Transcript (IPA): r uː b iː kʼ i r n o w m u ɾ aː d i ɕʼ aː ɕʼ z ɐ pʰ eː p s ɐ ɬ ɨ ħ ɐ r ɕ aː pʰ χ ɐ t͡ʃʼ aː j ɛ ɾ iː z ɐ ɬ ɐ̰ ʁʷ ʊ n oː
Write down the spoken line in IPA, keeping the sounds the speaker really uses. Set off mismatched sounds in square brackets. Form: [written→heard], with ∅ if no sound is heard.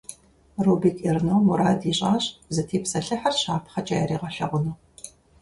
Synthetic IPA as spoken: r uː b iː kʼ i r n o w m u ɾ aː d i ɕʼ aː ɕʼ z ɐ [pʰ→tʰ] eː p s ɐ ɬ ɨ ħ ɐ r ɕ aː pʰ χ ɐ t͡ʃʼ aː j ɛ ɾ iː [z→ʁ] ɐ ɬ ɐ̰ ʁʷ ʊ n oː